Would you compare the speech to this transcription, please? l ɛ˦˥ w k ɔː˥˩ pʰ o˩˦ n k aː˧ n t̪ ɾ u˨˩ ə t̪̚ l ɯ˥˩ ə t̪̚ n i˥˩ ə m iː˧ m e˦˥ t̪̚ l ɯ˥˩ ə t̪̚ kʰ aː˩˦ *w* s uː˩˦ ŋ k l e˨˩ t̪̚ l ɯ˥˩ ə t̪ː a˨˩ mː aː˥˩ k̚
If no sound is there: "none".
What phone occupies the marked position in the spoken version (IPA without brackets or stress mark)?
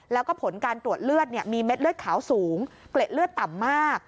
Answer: w